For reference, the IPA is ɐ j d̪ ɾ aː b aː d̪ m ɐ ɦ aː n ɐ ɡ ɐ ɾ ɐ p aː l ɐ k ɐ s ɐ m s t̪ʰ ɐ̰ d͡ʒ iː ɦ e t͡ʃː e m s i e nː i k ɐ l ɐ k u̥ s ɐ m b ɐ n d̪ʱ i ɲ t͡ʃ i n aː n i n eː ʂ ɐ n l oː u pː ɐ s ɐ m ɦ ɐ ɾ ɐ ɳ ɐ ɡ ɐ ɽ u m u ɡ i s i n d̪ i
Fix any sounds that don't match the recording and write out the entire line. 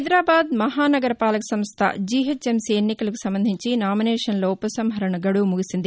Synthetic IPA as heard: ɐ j d̪ ɾ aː b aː d̪ m ɐ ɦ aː n ɐ ɡ ɐ ɾ ɐ p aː l ɐ k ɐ s ɐ m s t̪ʰ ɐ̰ d͡ʒ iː ɦ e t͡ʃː e m s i e nː i k ɐ l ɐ k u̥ s ɐ m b ɐ n d̪ʱ i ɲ t͡ʃ i n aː m i n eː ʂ ɐ n l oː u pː ɐ s ɐ m ɦ ɐ ɾ ɐ ɳ ɐ ɡ ɐ ɽ u m u ɡ i s i n d̪ i